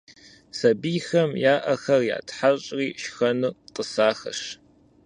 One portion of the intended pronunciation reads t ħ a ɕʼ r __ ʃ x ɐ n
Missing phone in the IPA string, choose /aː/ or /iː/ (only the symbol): iː